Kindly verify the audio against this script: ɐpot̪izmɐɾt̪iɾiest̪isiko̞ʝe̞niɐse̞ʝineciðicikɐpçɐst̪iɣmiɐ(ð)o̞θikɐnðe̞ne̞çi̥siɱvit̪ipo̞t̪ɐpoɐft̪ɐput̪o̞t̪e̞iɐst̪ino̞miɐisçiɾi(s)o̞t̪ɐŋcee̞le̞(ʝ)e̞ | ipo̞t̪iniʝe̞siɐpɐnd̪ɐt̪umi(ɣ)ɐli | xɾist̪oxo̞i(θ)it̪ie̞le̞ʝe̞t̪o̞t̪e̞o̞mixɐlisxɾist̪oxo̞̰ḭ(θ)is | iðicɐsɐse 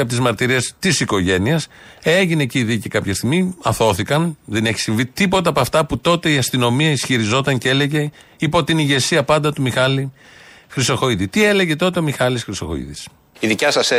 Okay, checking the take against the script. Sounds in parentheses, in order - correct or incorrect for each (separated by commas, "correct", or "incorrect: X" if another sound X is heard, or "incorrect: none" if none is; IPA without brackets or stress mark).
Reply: incorrect: θ, incorrect: z, correct, incorrect: x, incorrect: ð, incorrect: ð